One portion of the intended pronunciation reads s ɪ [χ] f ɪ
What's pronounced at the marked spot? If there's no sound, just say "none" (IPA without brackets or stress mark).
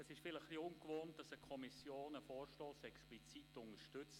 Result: ʃ